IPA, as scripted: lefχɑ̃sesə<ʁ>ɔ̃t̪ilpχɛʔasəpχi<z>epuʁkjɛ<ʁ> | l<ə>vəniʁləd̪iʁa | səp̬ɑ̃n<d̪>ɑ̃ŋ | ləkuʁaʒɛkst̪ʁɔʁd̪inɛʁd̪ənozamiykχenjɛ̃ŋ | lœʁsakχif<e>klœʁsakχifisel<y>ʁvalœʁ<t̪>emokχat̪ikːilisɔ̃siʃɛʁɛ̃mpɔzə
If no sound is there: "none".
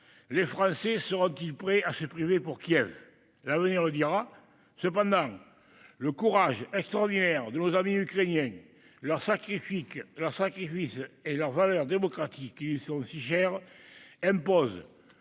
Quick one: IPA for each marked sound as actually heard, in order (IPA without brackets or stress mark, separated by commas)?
ʁ, v, v, a, d̪, i, œ, d̪